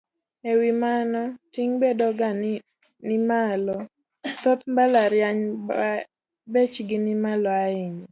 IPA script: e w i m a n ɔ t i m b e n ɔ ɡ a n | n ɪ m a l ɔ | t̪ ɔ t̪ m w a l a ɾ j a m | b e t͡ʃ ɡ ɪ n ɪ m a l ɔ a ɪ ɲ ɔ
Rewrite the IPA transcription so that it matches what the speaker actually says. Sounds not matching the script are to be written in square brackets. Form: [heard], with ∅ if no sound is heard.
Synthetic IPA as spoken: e w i m a n ɔ t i [ŋ] b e [d] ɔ ɡ a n | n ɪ m a l ɔ | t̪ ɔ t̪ m [b] a l a ɾ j a [ɲ] | b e t͡ʃ ɡ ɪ n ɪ m a l ɔ a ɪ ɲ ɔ

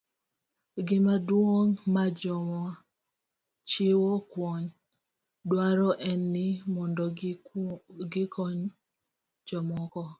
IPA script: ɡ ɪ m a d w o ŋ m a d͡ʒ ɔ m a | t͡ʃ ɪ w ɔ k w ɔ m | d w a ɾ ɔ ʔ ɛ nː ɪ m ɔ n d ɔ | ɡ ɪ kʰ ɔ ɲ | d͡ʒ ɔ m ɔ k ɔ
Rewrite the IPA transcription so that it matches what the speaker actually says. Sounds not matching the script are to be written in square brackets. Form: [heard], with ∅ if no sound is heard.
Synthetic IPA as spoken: ɡ ɪ m a d w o ŋ m a d͡ʒ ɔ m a | t͡ʃ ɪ w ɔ k w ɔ [ɲ] | d w a ɾ ɔ ʔ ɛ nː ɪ m ɔ n d ɔ | ɡ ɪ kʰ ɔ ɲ | d͡ʒ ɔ m ɔ k ɔ

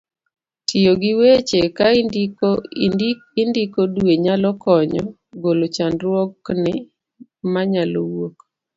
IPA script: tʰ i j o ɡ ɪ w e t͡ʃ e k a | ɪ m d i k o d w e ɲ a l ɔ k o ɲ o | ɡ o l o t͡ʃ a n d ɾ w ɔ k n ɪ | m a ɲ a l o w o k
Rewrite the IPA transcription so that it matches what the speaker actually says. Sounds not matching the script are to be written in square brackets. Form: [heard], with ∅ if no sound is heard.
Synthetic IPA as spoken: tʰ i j o ɡ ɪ w e t͡ʃ e k a | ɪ [n] d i k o d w e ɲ a l ɔ k [ɔ] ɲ [ɔ] | ɡ o l o t͡ʃ a n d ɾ w ɔ k n ɪ | m a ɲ a l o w o k

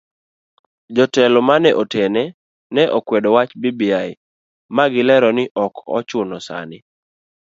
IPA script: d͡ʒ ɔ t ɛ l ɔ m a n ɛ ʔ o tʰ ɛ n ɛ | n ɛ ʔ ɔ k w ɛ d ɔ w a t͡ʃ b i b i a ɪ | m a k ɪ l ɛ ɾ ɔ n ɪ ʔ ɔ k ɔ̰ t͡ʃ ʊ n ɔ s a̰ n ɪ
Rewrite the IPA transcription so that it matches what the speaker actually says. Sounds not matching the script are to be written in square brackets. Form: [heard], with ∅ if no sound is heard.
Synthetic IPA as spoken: d͡ʒ ɔ t ɛ l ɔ m a n ɛ ʔ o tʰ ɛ n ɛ | n ɛ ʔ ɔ k w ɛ d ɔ w a t͡ʃ b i b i a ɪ | m a [ɡ] ɪ l ɛ ɾ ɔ n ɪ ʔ ɔ k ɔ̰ t͡ʃ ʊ n ɔ s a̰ n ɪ

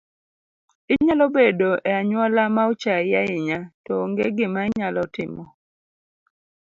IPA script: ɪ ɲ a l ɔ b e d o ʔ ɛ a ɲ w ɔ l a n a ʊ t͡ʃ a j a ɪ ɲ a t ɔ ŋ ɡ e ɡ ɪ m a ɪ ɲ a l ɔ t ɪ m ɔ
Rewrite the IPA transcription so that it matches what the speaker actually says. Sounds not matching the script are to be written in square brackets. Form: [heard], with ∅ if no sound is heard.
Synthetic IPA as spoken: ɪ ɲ a l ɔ b e d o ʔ ɛ a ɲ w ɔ l a [m] a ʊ t͡ʃ a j a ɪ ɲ a t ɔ ŋ ɡ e ɡ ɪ m a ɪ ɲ a l ɔ t ɪ m ɔ

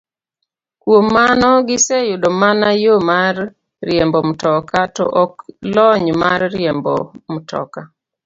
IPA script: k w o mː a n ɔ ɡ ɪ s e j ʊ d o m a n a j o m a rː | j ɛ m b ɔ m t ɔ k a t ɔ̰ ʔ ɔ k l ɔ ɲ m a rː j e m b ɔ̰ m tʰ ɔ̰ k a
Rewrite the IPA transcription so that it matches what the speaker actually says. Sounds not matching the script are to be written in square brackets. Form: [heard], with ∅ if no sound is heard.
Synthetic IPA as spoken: k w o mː a n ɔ ɡ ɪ s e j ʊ d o m a n a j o m a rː | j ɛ m b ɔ m t ɔ k a t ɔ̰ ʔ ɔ k l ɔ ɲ m a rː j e m b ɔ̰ m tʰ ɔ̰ k a

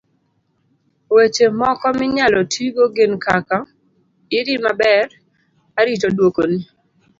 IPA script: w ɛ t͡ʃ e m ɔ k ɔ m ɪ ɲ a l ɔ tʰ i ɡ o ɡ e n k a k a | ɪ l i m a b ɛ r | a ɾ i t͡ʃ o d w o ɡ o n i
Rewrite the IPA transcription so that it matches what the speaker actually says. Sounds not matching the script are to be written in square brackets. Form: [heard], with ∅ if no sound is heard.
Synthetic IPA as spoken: w [e] t͡ʃ e m ɔ k ɔ m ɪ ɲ a l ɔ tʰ i ɡ o ɡ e n k a k a | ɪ [ɾ] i m a b ɛ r | a ɾ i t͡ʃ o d w o [k] o n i

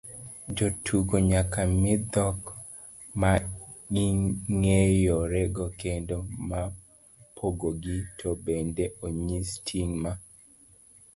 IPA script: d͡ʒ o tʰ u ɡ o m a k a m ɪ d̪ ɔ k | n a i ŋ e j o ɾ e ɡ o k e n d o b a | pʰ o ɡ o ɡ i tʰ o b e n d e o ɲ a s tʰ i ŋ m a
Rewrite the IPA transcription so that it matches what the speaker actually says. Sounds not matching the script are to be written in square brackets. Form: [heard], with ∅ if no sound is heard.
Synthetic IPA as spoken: d͡ʒ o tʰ u ɡ o [ɲ] a k a m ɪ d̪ ɔ k | [m] a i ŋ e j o ɾ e ɡ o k e n d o [m] a | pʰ o ɡ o ɡ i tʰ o b e n d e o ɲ [i] s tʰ i ŋ m a

